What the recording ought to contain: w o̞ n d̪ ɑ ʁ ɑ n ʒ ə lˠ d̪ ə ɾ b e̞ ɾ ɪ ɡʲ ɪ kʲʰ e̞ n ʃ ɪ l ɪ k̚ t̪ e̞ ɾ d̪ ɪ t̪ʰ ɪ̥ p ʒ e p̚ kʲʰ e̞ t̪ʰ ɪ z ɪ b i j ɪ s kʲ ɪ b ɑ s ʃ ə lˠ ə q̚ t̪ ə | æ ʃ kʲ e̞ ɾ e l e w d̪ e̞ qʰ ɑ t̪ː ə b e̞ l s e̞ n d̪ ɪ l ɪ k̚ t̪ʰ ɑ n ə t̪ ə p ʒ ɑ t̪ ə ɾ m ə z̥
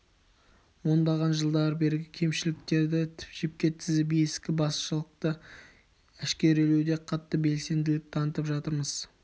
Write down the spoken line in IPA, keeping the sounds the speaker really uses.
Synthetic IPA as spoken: w o̞ n d̪ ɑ ʁ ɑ n ʒ ə lˠ d̪ ɑ ɾ b e̞ ɾ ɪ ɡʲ ɪ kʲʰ e̞ m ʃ ɪ l ɪ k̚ t̪ e̞ ɾ d̪ ɪ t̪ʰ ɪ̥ p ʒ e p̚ kʲ e̞ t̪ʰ ɪ z ɪ b i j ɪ s kʲ ɪ b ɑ s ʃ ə lˠ ə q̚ t̪ ə | æ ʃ kʲ e̞ ɾ e l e w d̪ e̞ qʰ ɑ t̪ː ə b e̞ l s e̞ n d̪ ɪ l ɪ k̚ t̪ʰ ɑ n ə t̪ ə p ʒ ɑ t̪ ə ɾ m ə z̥

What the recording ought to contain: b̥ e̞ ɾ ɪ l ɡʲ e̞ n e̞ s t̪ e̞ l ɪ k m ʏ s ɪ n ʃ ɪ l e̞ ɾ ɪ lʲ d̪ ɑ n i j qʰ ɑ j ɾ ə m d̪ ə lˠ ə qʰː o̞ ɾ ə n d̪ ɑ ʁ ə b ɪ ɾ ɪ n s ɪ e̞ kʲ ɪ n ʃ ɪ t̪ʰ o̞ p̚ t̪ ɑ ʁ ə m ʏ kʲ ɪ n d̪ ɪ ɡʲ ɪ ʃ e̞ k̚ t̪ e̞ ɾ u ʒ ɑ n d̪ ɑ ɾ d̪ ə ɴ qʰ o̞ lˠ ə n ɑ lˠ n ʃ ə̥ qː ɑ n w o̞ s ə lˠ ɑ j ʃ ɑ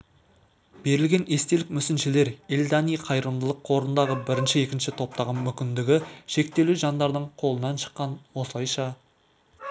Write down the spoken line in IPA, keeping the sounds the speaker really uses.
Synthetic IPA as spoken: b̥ e̞ ɾ ɪ l ɡʲ e̞ n e̞ s t̪ e̞ l ɪ k m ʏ s ɪ n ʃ ɪ l e̞ ɾ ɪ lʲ d̪ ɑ n i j qʰ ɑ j ɾ ə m d̪ ə lˠ ə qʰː o̞ ɾ ə n d̪ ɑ ʁ ə b ɪ ɾ ɪ n ʃ ɪ e̞ kʲ ɪ n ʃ ɪ t̪ʰ o̞ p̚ t̪ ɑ ʁ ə m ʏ kʲ ɪ n d̪ ɪ ɡʲ ɪ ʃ e̞ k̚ t̪ e̞ l u ʒ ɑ n d̪ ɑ ɾ d̪ ə ɴ qʰ o̞ lˠ ə n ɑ n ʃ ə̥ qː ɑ n w o̞ s ə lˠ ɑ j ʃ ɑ

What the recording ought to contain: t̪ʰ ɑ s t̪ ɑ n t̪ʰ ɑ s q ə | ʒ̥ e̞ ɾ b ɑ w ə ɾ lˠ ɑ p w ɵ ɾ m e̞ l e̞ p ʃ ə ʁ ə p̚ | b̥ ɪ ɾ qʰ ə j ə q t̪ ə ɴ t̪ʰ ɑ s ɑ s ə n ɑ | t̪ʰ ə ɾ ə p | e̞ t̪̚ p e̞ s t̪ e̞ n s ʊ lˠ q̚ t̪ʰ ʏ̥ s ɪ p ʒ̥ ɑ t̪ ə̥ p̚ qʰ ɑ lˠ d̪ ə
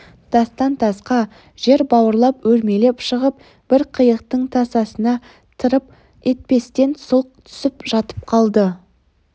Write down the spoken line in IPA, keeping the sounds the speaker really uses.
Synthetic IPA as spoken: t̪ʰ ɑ s t̪ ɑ n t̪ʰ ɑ s q ɑ | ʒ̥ e̞ ɾ b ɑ w ə ɾ lˠ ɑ p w ɵ ɾ m e̞ l e̞ p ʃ ə ʁ ə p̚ | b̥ ɪ ɾ qʰ ə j ə q t̪ ə ɴ t̪ʰ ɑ s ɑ s ə n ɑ | t̪ʰ ə ɾ ə p | e̞ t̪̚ p e̞ s t̪ e̞ n s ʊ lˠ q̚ t̪ʰ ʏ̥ s ɪ p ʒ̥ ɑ t̪ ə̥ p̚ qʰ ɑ lˠ d̪ ə

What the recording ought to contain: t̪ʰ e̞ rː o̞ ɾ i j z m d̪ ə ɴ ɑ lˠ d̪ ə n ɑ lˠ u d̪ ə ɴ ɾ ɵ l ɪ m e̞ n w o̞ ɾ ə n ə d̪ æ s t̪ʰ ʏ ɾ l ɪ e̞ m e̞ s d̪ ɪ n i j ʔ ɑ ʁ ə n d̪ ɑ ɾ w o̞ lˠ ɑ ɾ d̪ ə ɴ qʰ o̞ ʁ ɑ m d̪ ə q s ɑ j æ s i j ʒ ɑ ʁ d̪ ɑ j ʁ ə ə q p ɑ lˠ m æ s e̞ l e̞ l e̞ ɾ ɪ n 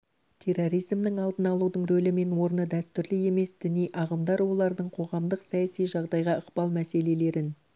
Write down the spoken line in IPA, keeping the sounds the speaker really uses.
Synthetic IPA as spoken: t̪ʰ e̞ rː o̞ ɾ i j z m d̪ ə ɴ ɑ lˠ d̪ ə n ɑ lˠ u d̪ ə ɴ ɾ ɵ l ɪ m e̞ n w o̞ ɾ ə n ə d̪ æ s t̪ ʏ ɾ l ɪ e̞ m e̞ s d̪ ɪ n i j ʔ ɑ ʁ ə m d̪ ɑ ɾ w o̞ lˠ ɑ ɾ d̪ ə ɴ qʰ o̞ ʁ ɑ m d̪ ə q s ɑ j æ s i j ʒ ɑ ʁ d̪ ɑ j ʁ ɑ ə q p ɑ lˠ m æ s e̞ l e̞ l e̞ ɾ ɪ n

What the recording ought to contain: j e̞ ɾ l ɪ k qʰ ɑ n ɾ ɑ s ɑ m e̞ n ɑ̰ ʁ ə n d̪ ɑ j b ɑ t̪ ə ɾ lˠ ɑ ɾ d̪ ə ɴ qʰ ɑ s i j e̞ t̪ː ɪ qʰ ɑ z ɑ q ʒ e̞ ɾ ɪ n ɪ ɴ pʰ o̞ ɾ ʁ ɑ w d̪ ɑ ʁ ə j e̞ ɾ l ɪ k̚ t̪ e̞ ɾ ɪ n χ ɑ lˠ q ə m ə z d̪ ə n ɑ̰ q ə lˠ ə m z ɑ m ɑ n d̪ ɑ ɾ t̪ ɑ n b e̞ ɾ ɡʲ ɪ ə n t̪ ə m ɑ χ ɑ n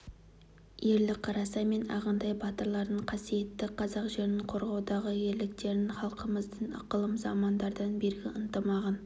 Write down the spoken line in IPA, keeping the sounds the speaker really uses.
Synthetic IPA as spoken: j e̞ ɾ l ɪ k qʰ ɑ ɾ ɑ s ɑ m e̞ n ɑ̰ ʁ ə n d̪ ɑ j b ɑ t̪ ə ɾ lˠ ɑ ɾ d̪ ə ɴ qʰ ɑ s i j e̞ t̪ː ɪ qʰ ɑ z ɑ q ʒ e̞ ɾ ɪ n ɪ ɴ qʰ o̞ ɾ ʁ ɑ w d̪ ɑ ʁ ə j e̞ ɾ l ɪ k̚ t̪ e̞ ɾ ɪ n χ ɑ lˠ q ə m ə z d̪ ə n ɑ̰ q ə lˠ ə m z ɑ m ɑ n d̪ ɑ ɾ d̪ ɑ n b e̞ ɾ ɡʲ ɪ ə n t̪ ə m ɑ ʁ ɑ n

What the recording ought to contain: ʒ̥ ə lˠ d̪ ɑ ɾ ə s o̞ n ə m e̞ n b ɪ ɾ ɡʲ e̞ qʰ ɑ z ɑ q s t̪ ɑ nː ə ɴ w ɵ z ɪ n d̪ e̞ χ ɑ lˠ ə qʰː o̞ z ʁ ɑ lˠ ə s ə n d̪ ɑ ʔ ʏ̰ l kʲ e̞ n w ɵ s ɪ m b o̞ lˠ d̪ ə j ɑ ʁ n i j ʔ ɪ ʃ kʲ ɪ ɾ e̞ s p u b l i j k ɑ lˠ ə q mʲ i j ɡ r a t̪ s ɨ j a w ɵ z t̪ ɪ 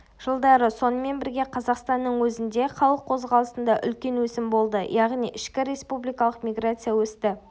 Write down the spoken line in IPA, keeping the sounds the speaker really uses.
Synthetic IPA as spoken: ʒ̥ ə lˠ d̪ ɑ ɾ ə s o̞ n ə m e̞ n b ɪ ɾ ɡʲ e̞ qʰ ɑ z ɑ q s t̪ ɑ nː ə ɴ w ɵ z ɪ n d̪ e̞ χ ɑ lˠ ə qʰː o̞ z ʁ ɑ lˠ ə s ə n d̪ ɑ ʔ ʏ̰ l kʲ e̞ n w ɵ s ɪ m b o̞ lˠ d̪ ə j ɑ ʁ n i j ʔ ɪ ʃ kʲ ɪ ɾ e̞ s p u b l i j k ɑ lˠ ə q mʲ i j ɡ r a t̪ s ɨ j a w ɵ s t̪ ɪ

